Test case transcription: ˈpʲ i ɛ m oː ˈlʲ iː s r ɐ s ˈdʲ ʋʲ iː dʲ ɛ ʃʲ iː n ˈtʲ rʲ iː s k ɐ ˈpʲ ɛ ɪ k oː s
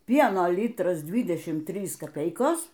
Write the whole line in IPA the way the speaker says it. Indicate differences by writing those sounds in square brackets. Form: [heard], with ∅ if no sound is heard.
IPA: ˈpʲ i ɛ [n] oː ˈlʲ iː [t] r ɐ s ˈdʲ ʋʲ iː dʲ ɛ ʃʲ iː [m] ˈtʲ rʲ iː s k ɐ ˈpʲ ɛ ɪ k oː s